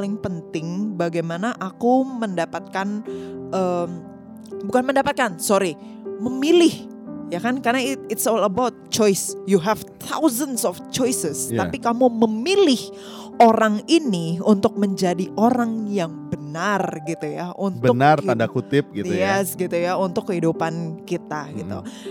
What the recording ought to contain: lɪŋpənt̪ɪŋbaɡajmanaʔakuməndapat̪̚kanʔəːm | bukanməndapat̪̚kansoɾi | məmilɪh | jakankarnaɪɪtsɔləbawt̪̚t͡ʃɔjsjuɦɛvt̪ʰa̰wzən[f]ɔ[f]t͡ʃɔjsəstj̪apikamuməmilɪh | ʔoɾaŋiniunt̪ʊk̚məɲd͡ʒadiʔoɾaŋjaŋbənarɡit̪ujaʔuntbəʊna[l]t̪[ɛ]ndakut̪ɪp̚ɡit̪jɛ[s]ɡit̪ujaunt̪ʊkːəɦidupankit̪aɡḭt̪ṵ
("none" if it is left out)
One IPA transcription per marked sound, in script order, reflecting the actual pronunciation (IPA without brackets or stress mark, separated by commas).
s, f, r, a, s